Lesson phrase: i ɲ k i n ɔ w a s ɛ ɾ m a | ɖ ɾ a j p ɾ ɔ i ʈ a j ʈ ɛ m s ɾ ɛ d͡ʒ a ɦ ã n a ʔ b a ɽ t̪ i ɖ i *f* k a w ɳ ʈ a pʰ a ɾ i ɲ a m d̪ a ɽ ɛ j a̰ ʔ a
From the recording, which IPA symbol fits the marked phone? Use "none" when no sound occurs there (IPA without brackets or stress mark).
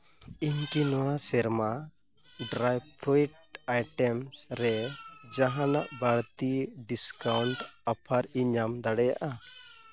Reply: s